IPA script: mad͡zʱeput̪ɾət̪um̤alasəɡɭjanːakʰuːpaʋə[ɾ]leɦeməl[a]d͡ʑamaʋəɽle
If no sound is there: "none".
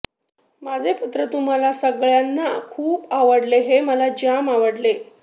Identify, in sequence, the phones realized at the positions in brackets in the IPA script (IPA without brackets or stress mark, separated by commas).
ɽ, a